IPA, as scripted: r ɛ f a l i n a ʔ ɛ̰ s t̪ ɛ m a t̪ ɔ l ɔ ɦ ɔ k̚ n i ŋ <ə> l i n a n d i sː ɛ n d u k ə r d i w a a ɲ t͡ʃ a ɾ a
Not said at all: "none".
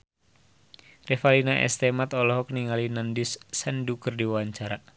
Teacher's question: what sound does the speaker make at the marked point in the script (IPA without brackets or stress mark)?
a